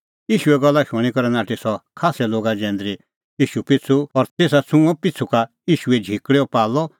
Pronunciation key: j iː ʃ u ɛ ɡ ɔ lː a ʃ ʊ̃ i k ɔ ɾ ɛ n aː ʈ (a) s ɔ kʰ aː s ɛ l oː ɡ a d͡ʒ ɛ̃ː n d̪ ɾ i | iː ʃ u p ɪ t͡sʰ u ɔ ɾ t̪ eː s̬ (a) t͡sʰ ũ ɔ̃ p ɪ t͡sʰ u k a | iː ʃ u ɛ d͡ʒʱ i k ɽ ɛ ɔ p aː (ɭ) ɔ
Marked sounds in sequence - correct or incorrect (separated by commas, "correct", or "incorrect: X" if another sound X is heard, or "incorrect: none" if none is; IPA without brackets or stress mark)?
incorrect: i, correct, incorrect: l